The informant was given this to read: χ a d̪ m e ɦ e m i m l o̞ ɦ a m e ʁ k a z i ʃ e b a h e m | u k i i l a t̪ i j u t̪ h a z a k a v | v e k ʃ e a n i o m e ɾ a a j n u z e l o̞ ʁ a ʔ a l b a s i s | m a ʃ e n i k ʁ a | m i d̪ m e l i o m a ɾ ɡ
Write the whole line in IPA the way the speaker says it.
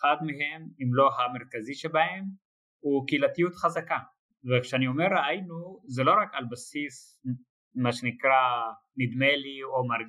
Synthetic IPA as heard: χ a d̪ m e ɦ e m i m l o̞ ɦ a m e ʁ k a z i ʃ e b a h e m | u k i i l a t̪ i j u t̪ χ a z a k a | v e k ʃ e a n i o m e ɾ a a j n u z e l o̞ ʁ a k a l b a s i s | m a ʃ e n i k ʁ a | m i d̪ m e l i o m a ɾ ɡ